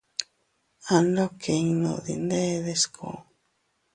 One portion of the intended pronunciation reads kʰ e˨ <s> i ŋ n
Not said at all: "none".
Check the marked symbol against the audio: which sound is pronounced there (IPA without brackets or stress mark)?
none